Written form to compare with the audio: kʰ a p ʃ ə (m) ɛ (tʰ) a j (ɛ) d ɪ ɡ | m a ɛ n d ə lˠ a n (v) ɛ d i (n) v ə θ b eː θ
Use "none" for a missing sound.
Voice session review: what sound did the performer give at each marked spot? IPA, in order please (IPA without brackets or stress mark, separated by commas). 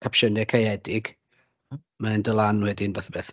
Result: n, kʰ, ɛ, w, n